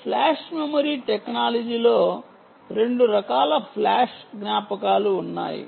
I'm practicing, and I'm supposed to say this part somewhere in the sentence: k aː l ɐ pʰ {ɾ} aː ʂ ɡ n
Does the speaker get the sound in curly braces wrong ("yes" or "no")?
yes